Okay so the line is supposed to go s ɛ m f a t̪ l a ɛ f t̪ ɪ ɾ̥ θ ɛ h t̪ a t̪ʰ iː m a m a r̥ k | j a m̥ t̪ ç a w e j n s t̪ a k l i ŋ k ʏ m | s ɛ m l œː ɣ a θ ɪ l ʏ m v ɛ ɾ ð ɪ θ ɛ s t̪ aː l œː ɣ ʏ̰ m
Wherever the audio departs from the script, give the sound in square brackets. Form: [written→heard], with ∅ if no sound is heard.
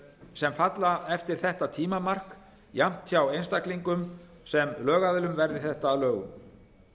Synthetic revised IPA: s ɛ m f a t̪ l a ɛ f t̪ ɪ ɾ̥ θ ɛ h t̪ a t̪ʰ iː m a m a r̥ k | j a m̥ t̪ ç a w e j n s t̪ a k l i ŋ k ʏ m | s ɛ m l œː ɣ a [θ→ð] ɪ l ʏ m v ɛ ɾ ð ɪ θ ɛ [s→h] t̪ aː l œː ɣ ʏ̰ m